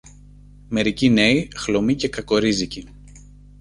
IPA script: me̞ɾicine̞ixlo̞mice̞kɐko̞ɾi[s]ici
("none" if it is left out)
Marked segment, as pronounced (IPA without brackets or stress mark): z